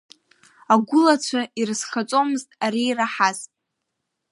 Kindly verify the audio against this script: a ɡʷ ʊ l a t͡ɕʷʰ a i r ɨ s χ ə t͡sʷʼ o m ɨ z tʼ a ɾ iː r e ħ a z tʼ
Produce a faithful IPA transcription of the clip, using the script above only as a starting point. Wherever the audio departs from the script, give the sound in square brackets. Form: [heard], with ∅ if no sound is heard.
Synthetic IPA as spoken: a ɡʷ ʊ l a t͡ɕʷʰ a i r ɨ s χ [a] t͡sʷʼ o m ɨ z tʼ a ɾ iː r [a] ħ a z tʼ